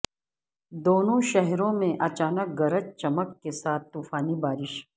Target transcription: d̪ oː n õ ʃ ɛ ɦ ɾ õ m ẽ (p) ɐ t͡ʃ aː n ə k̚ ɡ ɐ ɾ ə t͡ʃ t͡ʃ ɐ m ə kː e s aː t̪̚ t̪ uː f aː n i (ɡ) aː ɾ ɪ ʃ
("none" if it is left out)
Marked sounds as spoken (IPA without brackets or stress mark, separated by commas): ʔ, b